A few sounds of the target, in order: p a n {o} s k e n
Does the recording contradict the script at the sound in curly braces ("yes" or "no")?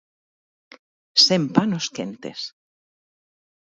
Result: no